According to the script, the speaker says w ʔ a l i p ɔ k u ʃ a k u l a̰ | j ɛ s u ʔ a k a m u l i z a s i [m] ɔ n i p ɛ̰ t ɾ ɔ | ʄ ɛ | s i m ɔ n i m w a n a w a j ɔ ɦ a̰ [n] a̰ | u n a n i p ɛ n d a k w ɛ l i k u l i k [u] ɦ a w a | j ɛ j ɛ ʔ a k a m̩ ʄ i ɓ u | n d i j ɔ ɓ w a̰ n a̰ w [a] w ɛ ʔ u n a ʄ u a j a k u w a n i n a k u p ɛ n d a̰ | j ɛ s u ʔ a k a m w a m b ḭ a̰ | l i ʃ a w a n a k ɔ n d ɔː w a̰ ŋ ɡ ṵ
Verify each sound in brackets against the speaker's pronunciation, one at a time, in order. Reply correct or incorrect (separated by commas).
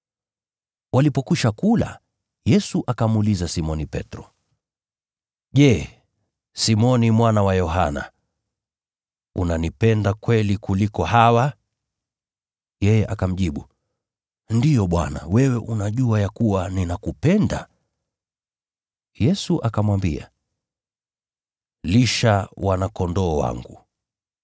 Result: correct, correct, incorrect, incorrect